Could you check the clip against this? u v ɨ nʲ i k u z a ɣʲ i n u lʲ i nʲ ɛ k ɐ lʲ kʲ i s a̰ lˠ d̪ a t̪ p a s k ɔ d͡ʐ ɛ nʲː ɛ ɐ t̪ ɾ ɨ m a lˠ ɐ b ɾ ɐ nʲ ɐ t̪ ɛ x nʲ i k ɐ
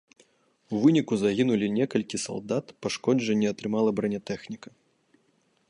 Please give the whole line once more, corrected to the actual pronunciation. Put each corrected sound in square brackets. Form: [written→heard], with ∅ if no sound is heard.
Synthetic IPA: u v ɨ nʲ i k u z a ɣʲ i n u lʲ i nʲ ɛ k ɐ lʲ kʲ i s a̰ lˠ d̪ a t̪ p a [s→ʂ] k ɔ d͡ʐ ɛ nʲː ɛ ɐ t̪ ɾ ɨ m a lˠ ɐ b ɾ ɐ nʲ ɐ t̪ ɛ x nʲ i k ɐ